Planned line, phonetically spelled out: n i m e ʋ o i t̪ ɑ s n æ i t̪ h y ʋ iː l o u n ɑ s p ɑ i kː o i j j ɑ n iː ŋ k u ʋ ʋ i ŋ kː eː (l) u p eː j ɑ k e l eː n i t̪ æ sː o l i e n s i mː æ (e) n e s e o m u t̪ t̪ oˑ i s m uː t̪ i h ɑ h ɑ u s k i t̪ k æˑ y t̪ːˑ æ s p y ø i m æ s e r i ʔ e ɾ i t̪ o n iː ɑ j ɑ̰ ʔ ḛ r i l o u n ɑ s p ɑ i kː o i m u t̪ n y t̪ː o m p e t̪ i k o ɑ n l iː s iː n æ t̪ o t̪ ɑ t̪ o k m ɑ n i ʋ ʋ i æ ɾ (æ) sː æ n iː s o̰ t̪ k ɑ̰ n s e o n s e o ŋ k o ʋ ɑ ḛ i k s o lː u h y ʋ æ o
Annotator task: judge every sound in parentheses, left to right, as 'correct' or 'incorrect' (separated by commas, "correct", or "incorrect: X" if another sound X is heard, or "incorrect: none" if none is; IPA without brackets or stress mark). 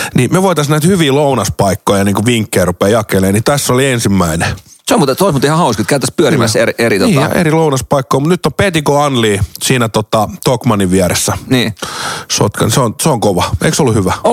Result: incorrect: r, incorrect: i, incorrect: e